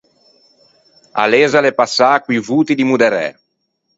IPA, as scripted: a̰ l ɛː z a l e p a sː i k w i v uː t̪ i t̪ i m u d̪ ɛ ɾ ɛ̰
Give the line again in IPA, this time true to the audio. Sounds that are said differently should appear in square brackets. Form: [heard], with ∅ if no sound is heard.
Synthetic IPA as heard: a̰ l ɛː z a l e p a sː [a] k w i v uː t̪ i [d̪] i m u d̪ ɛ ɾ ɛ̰

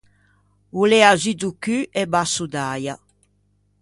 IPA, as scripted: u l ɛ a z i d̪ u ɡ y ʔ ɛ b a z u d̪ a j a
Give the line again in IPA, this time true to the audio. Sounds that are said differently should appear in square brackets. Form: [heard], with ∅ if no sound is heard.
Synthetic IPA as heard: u l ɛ a z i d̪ u [k] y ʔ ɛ b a [s] u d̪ a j a

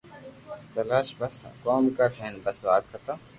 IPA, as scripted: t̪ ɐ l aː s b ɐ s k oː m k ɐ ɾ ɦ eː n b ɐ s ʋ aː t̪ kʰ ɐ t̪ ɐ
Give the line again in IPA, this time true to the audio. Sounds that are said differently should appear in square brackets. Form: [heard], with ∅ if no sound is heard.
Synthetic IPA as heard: t̪ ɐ l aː [ʃ] b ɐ s k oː m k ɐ ɾ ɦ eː n b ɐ s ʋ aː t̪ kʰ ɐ t̪ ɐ

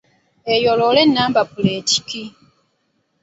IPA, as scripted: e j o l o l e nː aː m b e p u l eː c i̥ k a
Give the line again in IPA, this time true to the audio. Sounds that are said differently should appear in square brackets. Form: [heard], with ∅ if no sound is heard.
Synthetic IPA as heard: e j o l o l e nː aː m b [a] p u l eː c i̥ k [i]

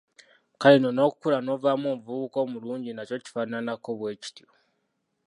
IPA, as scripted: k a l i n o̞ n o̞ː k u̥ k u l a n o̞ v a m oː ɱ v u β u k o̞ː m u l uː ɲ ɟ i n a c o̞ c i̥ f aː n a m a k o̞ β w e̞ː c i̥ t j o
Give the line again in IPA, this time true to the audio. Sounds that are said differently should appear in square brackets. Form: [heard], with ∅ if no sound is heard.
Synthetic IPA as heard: k a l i n o̞ n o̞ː k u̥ k u l a n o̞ v a m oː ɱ v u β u k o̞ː m u l uː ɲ ɟ i n a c o̞ c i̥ f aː n a [n] a k o̞ β w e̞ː c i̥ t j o

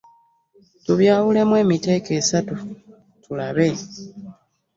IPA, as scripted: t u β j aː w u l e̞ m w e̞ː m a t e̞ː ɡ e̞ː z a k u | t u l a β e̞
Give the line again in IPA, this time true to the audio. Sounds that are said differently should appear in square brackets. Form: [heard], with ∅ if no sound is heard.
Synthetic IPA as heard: t u β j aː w u l e̞ m w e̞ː m [i] t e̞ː [k] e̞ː [s] a [t] u | t u l a β e̞

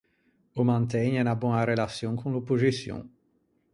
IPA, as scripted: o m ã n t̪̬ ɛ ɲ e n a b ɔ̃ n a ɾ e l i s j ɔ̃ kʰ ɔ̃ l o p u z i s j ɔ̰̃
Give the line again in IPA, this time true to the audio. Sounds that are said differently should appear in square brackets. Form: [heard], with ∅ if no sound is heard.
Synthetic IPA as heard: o m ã n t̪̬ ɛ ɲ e n a b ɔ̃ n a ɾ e l [a] s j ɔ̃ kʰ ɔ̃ l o p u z i s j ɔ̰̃

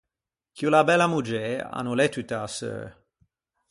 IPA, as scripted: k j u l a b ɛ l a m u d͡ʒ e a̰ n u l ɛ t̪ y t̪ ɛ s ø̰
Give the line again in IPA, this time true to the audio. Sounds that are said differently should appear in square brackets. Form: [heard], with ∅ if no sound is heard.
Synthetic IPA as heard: k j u l a b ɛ l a m u d͡ʒ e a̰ n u l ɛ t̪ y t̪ [a] s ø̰

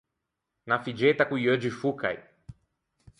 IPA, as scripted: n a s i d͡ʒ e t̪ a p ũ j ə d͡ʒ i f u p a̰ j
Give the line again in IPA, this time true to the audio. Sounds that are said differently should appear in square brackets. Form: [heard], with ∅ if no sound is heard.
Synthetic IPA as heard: n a [f] i d͡ʒ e t̪ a [k] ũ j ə d͡ʒ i f u [k] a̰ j

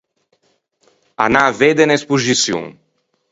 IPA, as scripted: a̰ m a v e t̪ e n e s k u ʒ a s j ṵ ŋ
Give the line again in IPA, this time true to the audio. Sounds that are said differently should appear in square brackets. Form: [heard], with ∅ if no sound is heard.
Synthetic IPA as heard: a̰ [n] a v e [d̪] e n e s [p] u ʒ [i] s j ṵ ŋ

